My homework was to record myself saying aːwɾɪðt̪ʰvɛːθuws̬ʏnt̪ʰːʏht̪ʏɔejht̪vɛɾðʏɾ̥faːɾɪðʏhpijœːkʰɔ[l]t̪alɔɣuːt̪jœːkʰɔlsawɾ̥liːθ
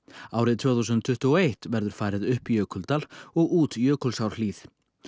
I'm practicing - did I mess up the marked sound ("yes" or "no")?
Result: no